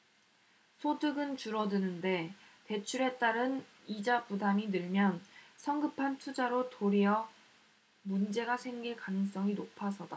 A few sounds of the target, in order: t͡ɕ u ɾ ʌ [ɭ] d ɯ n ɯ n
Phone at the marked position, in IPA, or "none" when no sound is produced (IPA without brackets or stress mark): none